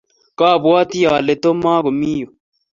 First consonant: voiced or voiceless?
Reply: voiceless